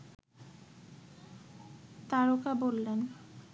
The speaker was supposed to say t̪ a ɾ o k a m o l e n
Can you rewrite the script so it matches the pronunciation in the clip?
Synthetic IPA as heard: t̪ a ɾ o k a b o lː e n